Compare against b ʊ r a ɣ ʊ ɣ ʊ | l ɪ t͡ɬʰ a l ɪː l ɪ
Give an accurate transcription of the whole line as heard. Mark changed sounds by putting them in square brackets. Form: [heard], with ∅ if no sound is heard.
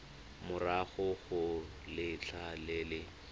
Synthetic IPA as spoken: [m] ʊ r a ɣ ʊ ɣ ʊ | l ɪ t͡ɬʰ a l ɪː l ɪ